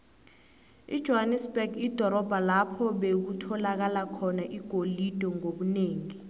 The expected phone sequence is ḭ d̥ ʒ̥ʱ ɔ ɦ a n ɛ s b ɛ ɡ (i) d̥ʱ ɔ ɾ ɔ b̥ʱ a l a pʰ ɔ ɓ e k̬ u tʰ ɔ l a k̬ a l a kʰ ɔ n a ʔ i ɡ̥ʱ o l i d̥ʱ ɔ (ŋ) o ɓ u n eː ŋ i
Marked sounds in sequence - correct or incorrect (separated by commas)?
correct, correct